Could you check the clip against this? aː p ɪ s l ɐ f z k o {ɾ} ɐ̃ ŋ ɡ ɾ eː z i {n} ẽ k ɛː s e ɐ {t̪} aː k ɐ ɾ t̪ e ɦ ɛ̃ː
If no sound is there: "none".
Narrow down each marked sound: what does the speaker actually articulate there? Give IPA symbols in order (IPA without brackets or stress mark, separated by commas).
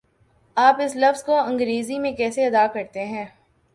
none, m, d̪